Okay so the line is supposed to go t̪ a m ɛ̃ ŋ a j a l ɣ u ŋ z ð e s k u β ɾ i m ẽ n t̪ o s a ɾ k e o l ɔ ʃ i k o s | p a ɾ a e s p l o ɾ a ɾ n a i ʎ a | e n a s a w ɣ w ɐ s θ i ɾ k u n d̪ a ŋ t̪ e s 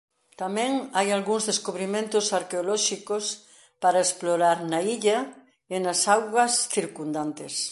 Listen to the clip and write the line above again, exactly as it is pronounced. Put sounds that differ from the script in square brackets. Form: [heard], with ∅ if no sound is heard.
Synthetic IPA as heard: t̪ a m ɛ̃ ŋ a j a l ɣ u ŋ z ð e s k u β ɾ i m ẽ n t̪ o s a ɾ k e o l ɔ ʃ i k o s | p a ɾ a e s p l o ɾ a ɾ n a i ʎ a | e n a s a w ɣ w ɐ s θ i ɾ k u n d̪ a [n] t̪ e s